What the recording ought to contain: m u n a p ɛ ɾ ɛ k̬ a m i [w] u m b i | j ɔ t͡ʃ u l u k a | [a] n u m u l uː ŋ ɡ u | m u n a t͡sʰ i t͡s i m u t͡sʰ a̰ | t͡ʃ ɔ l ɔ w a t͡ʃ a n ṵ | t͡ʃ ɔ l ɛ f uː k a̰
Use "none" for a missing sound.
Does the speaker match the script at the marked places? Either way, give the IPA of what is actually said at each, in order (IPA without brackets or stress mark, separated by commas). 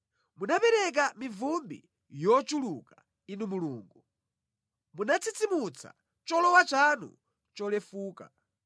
v, i